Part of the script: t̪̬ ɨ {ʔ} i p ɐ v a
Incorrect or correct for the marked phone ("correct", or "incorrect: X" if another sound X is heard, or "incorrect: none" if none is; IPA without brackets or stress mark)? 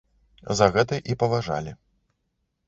correct